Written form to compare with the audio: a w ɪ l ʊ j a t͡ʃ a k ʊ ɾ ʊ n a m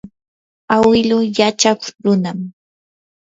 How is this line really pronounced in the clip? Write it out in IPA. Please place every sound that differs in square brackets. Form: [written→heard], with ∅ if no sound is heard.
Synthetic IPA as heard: a w ɪ l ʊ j a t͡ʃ a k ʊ ɾ ʊ n a m